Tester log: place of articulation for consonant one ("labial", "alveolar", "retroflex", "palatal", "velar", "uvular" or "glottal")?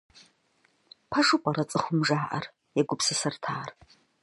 labial